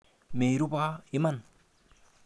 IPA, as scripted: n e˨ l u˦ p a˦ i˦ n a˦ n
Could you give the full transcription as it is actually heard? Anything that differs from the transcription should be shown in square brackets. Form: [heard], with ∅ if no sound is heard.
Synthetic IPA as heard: [m] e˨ [ɾ] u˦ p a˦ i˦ [m] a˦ n